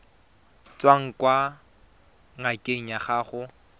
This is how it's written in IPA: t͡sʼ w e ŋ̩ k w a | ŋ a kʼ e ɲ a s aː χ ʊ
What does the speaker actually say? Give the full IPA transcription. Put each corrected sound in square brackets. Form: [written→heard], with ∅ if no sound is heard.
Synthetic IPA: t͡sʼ w [e→a] ŋ̩ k w a | ŋ a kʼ e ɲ a [s→χ] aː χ ʊ